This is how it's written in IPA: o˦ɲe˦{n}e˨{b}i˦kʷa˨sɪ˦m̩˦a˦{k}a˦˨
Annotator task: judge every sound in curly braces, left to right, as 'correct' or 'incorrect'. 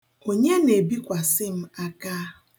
correct, correct, correct

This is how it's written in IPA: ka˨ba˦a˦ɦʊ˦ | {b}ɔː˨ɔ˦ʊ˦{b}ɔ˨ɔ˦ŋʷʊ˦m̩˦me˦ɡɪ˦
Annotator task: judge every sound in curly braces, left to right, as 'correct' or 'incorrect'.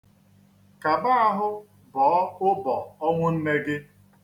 correct, correct

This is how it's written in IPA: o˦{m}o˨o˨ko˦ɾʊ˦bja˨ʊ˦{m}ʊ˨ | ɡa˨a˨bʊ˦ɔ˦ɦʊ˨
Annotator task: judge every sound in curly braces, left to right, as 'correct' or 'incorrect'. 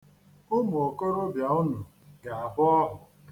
correct, incorrect: n

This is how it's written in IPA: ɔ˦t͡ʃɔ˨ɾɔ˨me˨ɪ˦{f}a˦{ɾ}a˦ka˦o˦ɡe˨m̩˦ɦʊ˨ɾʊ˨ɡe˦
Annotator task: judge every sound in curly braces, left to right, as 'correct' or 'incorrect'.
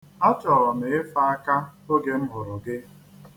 correct, incorrect: none

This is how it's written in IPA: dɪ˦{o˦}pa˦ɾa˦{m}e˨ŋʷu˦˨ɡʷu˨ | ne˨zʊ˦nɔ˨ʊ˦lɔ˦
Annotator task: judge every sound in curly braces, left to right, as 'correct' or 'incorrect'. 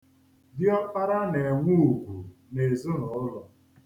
incorrect: ɔ˦, incorrect: n

